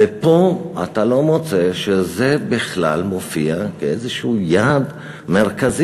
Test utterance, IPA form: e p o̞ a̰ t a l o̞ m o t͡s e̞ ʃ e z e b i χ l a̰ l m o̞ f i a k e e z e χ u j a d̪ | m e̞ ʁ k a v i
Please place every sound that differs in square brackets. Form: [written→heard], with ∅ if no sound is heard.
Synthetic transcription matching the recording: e p o̞ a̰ t a l o̞ m o t͡s e̞ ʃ e z e b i χ l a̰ l m o̞ f i a k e e z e [χ→ʃ] u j a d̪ | m e̞ ʁ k a [v→z] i